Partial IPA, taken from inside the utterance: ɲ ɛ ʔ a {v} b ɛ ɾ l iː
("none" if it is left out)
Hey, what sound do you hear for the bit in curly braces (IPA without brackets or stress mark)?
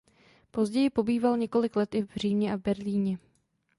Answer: v